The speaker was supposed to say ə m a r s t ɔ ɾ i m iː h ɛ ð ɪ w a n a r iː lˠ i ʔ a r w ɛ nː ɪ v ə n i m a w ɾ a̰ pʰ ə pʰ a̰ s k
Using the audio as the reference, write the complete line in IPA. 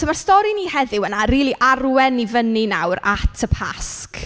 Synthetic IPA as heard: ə m a r s t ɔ ɾ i n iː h ɛ ð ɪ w ə n a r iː lˠ i ʔ a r w ɛ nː i v ə n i n a w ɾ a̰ tʰ ə pʰ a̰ s k